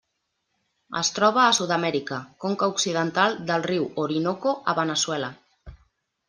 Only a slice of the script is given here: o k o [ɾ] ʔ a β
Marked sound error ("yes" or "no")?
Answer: yes